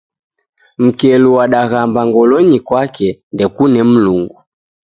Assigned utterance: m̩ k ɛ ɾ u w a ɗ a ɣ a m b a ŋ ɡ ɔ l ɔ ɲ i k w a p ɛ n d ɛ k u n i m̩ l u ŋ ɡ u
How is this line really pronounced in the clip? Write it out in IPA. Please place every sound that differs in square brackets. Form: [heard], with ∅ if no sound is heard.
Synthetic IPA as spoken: m̩ k ɛ [l] u w a ɗ a ɣ a m b a ŋ ɡ ɔ l ɔ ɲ i k w a [k] ɛ n d ɛ k u n [ɛ] m̩ l u ŋ ɡ u